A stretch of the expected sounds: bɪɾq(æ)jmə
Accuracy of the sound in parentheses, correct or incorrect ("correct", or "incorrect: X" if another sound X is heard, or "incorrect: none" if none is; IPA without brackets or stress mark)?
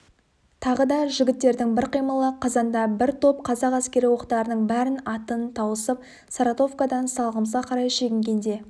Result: incorrect: i